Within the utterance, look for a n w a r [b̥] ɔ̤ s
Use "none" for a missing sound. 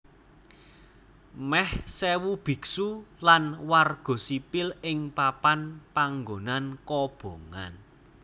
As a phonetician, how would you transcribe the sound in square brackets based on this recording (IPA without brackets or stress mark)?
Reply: ɡ̥